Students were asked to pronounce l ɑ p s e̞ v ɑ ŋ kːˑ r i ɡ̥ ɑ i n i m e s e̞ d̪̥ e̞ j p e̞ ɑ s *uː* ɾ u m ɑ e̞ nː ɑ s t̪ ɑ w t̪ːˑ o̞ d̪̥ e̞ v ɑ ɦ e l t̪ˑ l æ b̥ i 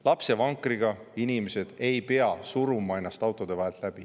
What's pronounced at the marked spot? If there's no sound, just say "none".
u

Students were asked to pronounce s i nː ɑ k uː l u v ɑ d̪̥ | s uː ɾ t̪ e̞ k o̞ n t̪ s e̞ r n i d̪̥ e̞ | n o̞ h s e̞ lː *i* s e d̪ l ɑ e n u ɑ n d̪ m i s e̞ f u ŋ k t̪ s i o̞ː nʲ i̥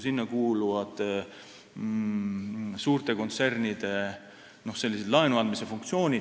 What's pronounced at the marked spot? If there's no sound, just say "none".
i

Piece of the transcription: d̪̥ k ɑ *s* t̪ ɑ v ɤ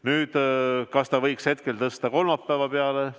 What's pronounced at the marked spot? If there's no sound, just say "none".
s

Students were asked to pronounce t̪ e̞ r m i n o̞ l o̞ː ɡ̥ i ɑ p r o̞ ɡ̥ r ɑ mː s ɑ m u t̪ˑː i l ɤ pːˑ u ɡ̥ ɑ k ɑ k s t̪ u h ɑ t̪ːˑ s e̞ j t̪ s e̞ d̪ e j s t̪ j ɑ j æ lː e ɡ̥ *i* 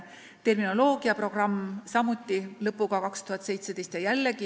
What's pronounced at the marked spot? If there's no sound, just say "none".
i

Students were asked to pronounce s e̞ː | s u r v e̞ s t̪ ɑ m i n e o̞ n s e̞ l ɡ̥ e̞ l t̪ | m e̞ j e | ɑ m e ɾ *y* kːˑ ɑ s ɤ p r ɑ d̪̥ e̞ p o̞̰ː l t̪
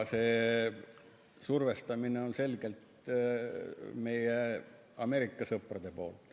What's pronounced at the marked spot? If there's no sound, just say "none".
i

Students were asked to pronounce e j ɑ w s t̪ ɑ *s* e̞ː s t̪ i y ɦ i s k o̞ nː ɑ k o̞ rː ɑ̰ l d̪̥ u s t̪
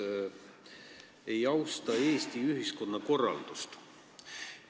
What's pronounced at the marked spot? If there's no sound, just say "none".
none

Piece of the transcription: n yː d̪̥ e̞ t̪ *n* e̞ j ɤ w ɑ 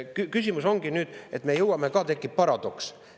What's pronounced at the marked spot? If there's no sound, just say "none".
m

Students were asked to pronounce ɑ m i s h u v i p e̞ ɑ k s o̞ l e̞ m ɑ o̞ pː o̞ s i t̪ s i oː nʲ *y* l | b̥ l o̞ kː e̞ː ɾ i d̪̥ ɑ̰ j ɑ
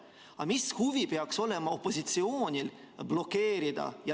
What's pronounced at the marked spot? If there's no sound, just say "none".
i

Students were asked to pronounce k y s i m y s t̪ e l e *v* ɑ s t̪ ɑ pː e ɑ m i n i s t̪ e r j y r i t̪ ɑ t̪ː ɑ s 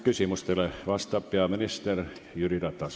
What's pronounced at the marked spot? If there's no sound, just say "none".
ʋ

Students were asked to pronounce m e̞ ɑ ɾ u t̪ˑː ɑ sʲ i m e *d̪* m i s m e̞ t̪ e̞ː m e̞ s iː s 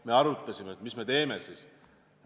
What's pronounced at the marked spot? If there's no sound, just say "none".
t̪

